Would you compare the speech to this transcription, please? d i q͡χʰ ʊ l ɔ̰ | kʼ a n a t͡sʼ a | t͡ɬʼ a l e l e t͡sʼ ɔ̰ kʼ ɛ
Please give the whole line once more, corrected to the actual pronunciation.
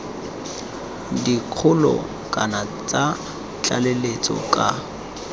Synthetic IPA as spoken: d i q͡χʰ ʊ l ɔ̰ | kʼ a n a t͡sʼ a | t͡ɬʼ a l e l e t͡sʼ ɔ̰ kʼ a